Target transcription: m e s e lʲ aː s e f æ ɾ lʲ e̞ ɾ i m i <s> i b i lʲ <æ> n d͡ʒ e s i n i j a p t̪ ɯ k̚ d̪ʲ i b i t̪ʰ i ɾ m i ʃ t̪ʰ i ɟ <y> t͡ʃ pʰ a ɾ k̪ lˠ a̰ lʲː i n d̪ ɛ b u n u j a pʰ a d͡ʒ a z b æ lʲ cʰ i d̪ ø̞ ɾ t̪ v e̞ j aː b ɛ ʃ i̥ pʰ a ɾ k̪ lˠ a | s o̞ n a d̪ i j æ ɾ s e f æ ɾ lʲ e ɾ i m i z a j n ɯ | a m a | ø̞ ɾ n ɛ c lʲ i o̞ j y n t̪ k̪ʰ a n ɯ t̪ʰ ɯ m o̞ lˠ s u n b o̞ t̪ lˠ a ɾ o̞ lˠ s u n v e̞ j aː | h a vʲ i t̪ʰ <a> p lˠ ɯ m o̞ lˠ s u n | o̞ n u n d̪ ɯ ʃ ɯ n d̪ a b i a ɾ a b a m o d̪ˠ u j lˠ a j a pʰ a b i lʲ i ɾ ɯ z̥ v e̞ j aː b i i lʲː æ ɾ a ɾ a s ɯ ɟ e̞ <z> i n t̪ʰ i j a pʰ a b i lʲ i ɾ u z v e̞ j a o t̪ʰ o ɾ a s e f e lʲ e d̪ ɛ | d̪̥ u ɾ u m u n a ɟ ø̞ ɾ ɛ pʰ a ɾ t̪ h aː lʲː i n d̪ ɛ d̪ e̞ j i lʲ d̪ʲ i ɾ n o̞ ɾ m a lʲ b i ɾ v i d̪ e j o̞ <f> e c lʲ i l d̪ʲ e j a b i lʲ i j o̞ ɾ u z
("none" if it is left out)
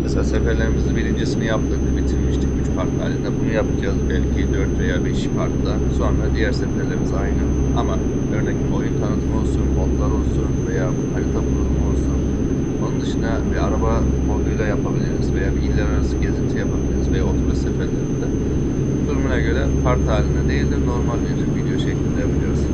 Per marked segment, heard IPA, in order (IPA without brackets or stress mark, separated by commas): z, i, y, a, z, ʃ